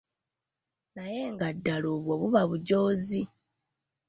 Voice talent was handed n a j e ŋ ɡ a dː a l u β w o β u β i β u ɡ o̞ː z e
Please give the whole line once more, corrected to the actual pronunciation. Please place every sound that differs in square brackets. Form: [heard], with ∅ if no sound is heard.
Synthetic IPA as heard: n a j e ŋ ɡ a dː a l [o] β w o β u β [a] β u [ɟ] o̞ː z [i]